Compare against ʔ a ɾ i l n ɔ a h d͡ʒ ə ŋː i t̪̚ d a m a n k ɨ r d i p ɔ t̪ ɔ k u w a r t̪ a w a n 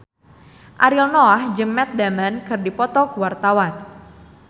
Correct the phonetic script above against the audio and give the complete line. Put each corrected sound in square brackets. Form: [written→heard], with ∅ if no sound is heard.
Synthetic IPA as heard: ʔ a ɾ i l n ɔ a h d͡ʒ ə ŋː [i→ɛ] t̪̚ d a m a n k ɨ r d i p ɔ t̪ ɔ k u w a r t̪ a w a n